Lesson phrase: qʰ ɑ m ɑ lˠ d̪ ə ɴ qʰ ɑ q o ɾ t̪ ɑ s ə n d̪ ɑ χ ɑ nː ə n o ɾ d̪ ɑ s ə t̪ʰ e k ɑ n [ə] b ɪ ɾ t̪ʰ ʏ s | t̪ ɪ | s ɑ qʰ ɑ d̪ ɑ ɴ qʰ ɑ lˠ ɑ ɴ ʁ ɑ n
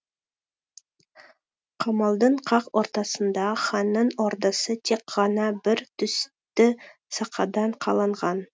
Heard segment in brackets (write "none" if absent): ɑ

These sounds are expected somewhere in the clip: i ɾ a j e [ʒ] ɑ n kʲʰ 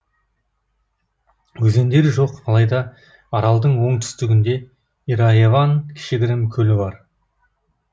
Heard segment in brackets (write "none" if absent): v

